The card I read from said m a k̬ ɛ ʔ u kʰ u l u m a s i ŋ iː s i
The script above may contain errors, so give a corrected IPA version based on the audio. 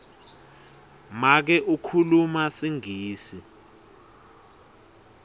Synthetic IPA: m a k̬ ɛ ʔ u kʰ u l u m a s i ŋ iː s i